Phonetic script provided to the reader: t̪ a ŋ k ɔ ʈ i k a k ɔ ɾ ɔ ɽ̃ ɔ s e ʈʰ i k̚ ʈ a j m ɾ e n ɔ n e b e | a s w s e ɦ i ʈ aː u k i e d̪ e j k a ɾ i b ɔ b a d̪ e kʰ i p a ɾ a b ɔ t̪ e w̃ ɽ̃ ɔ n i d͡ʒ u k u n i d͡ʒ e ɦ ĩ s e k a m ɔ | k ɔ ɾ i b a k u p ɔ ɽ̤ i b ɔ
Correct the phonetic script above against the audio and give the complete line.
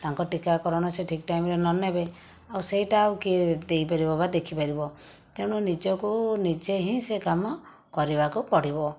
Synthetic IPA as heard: t̪ a ŋ k ɔ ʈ i k a k ɔ ɾ ɔ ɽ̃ ɔ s e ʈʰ i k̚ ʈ a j m ɾ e n ɔ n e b e | a w s e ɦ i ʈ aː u k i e d̪ e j p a ɾ i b ɔ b a d̪ e kʰ i p a ɾ i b ɔ t̪ e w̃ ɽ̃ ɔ n i d͡ʒ ɔ k u n i d͡ʒ e ɦ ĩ s e k a m ɔ | k ɔ ɾ i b a k u p ɔ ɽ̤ i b ɔ